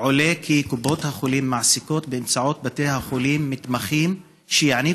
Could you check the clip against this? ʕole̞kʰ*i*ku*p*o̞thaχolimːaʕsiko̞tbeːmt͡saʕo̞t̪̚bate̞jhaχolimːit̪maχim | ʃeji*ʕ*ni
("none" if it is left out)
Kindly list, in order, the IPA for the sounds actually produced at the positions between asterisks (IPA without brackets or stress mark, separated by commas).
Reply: i, b, ʕ